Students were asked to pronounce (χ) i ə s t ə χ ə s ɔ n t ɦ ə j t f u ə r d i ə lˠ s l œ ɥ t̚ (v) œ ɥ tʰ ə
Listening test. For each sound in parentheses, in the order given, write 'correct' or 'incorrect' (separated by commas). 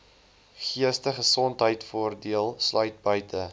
correct, incorrect